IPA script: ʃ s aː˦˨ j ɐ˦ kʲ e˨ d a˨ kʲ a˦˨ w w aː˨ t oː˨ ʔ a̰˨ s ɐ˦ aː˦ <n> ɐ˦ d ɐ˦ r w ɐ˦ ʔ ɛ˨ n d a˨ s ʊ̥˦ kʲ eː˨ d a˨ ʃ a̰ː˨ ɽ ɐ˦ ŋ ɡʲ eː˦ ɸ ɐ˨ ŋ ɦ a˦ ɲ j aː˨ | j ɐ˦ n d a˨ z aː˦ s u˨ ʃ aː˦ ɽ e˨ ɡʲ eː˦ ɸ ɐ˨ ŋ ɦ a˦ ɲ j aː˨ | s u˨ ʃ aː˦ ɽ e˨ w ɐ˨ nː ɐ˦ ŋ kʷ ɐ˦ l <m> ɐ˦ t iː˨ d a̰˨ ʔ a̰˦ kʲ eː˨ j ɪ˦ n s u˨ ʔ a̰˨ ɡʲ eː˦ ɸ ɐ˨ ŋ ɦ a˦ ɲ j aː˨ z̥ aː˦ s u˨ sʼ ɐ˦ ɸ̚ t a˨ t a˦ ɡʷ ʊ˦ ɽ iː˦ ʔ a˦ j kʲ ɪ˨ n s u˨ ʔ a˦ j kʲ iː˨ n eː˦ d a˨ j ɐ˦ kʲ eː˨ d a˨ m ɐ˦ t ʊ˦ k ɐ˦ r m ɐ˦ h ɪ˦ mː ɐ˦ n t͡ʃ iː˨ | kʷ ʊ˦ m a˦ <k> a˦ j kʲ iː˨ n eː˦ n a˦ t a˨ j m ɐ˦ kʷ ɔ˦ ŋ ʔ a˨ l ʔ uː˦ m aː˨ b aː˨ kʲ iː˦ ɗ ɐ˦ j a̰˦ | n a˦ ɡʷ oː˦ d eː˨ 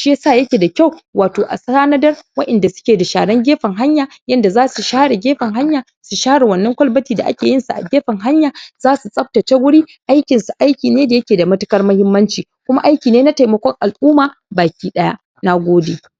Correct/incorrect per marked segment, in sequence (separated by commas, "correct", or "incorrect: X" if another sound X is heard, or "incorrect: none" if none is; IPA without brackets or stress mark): correct, incorrect: b, incorrect: ʔ